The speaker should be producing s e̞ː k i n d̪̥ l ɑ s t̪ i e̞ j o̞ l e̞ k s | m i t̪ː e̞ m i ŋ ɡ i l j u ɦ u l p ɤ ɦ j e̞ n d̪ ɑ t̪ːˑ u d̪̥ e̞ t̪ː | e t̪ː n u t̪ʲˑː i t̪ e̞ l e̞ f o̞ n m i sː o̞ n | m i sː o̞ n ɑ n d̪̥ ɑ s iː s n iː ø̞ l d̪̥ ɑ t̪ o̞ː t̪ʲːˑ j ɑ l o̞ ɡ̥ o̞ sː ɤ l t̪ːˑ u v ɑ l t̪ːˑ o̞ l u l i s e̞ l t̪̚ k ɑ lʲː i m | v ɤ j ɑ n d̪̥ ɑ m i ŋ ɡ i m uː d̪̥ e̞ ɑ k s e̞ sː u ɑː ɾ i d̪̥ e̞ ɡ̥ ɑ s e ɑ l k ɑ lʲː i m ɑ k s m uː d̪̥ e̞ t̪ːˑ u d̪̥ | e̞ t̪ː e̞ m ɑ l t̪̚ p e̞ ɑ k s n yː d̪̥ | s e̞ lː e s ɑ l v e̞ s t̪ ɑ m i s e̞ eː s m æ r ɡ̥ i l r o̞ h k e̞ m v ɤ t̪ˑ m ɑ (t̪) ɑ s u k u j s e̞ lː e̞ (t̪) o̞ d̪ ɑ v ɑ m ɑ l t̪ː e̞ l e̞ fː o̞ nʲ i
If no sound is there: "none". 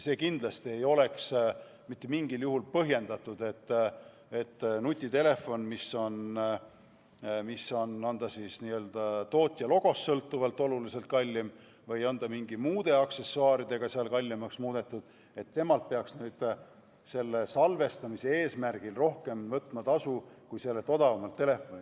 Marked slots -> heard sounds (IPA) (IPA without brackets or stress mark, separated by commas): t̪, t̪